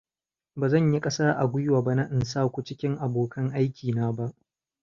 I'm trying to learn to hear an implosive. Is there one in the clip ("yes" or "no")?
no